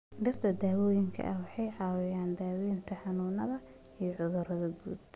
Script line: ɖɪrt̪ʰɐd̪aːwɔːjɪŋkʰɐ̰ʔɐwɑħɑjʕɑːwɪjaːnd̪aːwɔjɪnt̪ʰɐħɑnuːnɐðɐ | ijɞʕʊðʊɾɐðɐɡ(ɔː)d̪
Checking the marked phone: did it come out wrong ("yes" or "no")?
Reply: yes